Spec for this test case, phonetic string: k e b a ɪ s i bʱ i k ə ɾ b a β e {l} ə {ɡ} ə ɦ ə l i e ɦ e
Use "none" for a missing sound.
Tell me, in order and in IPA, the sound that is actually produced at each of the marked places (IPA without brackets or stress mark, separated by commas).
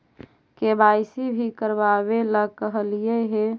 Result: l, k